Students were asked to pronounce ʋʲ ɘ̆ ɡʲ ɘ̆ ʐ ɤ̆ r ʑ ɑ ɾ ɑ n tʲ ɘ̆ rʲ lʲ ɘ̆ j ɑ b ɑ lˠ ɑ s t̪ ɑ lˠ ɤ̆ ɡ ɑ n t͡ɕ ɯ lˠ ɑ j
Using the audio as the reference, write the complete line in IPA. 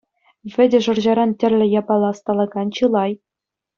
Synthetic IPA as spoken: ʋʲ ɘ̆ dʲ ɘ̆ ʐ ɤ̆ r ʑ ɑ ɾ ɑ n tʲ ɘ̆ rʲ lʲ ɘ̆ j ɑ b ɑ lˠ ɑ s t̪ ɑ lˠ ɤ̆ ɡ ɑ n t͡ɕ ɯ lˠ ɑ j